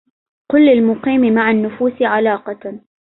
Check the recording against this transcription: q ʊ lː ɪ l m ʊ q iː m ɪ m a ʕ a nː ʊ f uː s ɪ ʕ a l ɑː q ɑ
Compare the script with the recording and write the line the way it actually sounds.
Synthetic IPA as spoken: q ʊ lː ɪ l m ʊ q iː m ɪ m a ʕ a nː ʊ f uː s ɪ ʕ a l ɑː q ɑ